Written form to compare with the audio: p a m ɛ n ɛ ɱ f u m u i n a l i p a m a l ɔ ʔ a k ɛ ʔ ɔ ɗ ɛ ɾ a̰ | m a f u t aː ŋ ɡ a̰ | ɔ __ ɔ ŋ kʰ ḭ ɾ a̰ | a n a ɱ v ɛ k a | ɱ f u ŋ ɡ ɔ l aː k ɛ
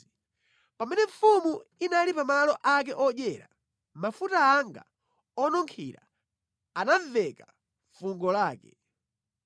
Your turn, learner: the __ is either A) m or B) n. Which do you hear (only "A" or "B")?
B